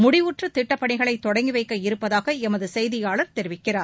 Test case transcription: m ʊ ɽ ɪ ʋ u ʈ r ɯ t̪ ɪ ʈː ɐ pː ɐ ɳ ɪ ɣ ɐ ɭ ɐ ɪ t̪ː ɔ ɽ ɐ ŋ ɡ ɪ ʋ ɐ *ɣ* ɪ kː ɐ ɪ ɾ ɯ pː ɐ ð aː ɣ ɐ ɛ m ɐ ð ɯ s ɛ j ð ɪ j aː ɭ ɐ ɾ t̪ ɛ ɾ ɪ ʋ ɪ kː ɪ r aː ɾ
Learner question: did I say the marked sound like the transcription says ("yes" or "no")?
no